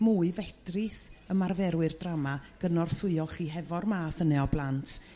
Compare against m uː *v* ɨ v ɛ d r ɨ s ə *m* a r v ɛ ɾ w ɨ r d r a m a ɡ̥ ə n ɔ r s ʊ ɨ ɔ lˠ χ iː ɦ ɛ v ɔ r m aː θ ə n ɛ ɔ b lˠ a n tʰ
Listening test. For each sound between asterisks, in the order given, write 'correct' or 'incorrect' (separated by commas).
incorrect, correct